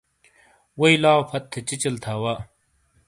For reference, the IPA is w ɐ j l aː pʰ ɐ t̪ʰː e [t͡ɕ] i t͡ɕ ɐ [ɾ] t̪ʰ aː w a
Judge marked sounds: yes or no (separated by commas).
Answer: yes, no